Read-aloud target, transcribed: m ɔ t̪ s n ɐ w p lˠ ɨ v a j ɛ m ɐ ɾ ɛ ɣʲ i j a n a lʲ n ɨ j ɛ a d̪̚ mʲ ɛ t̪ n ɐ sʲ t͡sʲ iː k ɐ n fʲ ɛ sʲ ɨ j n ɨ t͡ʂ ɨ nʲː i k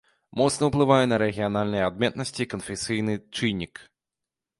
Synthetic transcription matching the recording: m ɔ t̪ s n ɐ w p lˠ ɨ v a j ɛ n ɐ ɾ ɛ ɣʲ i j a n a lʲ n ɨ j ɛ a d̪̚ mʲ ɛ t̪ n ɐ sʲ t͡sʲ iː k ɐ n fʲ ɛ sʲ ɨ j n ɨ t͡ʂ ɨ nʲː i k

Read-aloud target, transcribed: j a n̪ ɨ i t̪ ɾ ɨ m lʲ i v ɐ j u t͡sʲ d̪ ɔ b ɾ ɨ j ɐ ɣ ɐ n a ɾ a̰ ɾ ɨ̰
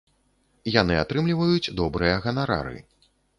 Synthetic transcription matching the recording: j a n̪ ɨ a t̪ ɾ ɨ m lʲ i v ɐ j u t͡sʲ d̪ ɔ b ɾ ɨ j ɐ ɣ ɐ n a ɾ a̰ ɾ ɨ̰

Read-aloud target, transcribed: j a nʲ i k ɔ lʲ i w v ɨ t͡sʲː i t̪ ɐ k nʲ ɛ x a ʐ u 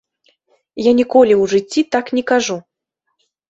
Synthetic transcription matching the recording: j a nʲ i k ɔ lʲ i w ʐ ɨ t͡sʲː i t̪ a k nʲ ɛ k a ʐ u

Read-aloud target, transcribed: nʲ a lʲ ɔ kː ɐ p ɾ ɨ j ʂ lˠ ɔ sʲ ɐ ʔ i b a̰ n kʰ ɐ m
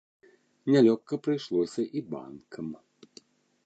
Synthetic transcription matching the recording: nʲ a lʲ ɔ kː ɐ p ɾ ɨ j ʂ lˠ ɔ sʲ ɐ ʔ i b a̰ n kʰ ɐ m

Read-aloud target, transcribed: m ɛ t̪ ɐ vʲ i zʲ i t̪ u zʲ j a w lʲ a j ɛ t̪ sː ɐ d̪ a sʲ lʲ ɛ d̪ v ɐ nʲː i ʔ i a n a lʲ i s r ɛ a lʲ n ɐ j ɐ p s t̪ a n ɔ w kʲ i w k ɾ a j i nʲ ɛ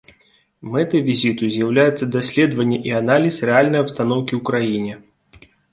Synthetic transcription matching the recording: m ɛ t̪ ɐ vʲ i zʲ i t̪ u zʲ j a w lʲ a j ɛ t̪ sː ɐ d̪ a sʲ lʲ ɛ d̪ v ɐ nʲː ɛ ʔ i a n a lʲ i s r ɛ a lʲ n ɐ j ɐ p s t̪ a n ɔ w kʲ i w k ɾ a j i nʲ ɛ

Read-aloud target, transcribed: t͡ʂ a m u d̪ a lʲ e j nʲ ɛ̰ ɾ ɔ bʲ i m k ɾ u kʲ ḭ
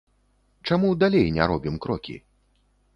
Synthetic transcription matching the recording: t͡ʂ a m u d̪ a lʲ e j nʲ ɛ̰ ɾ ɔ bʲ i m k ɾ ɔ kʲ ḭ

